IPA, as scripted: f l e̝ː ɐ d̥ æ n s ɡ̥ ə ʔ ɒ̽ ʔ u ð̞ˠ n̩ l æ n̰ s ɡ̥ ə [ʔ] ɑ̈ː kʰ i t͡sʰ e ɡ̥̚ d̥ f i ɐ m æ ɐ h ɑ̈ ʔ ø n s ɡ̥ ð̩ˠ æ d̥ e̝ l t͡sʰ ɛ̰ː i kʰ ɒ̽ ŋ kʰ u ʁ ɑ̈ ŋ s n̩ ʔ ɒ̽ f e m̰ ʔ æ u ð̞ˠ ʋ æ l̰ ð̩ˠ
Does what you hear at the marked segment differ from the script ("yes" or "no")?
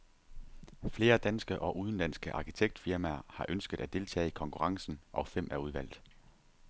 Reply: no